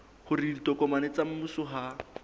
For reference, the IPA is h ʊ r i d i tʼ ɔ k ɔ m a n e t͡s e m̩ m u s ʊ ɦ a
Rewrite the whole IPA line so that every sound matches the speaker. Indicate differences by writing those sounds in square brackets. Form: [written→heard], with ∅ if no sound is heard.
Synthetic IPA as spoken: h ʊ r i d i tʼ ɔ k ɔ m a n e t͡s [e→a] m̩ m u s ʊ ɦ a